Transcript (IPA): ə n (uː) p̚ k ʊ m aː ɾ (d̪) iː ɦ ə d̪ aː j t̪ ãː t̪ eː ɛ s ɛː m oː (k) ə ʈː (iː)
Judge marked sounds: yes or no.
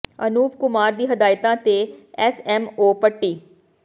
yes, yes, no, yes

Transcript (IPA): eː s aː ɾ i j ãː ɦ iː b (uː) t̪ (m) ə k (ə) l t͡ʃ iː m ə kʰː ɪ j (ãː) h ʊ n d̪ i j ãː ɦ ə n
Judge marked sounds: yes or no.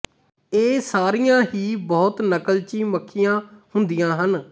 no, no, yes, yes

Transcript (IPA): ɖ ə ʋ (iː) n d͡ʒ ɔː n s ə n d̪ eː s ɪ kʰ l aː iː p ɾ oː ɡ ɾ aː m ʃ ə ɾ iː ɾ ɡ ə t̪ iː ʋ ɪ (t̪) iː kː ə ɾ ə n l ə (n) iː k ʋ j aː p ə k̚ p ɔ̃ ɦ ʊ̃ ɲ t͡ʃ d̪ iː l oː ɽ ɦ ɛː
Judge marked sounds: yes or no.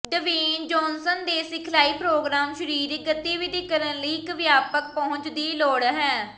yes, no, no

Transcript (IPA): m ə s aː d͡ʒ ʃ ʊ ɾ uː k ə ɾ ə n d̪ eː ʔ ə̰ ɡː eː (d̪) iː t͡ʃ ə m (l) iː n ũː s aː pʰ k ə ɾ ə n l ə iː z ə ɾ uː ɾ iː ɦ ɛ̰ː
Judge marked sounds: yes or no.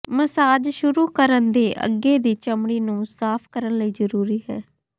yes, no

